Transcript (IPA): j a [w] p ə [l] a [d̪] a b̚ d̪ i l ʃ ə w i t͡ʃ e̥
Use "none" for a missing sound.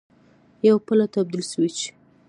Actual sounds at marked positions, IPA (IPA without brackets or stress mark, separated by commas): w, l, t̪